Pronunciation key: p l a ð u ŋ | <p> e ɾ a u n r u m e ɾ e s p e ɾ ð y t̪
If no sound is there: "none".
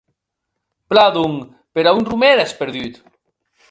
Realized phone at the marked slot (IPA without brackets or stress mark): p